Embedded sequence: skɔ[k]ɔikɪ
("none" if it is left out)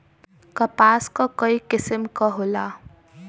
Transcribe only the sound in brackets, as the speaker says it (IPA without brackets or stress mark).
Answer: k